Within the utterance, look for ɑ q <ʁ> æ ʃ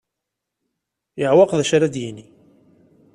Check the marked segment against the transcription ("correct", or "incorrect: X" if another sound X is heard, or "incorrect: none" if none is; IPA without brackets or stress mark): incorrect: ð